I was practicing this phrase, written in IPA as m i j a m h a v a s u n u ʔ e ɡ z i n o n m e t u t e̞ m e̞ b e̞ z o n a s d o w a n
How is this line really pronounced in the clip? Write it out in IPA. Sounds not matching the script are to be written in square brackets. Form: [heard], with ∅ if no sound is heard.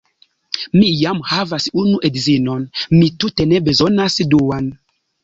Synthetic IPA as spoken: m i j a m h a v a s u n u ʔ e [d] z i n o n m [i] t u t e̞ [n] e̞ b e̞ z o n a s d [u] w a n